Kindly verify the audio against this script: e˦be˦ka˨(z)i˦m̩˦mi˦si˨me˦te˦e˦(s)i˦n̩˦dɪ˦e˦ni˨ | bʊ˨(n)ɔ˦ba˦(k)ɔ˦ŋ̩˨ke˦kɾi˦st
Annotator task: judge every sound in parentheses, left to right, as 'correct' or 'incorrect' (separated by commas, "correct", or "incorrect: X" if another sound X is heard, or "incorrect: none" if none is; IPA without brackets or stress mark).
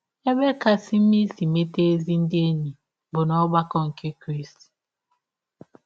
incorrect: s, incorrect: z, correct, correct